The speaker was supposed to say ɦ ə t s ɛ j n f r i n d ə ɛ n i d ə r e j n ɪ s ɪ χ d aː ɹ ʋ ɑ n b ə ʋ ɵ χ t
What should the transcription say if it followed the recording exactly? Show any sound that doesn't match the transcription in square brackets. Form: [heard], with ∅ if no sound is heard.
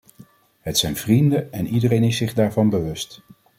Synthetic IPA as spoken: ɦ ə t s ɛ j n [v] r i n d ə ɛ n i d ə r e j n ɪ s ɪ χ d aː ɹ [v] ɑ n b ə ʋ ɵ [s] t